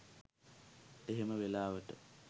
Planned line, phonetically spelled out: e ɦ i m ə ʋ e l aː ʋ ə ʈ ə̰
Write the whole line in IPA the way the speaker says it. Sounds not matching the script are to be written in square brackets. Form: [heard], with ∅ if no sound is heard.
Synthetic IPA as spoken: e ɦ [e] m ə ʋ e l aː ʋ ə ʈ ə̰